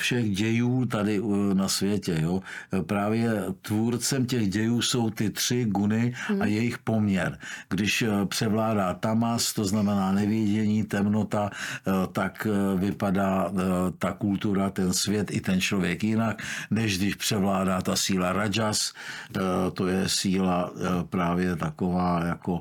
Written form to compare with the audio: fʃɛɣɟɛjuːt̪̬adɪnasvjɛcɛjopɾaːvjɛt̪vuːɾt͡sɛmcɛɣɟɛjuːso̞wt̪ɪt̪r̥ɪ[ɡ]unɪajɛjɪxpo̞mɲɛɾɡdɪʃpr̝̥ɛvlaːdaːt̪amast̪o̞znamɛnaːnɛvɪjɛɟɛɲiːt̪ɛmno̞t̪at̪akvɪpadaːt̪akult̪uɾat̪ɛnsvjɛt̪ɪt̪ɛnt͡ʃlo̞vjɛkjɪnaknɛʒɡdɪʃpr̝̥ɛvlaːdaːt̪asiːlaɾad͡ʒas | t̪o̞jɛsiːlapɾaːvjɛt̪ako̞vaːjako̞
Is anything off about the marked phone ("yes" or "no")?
no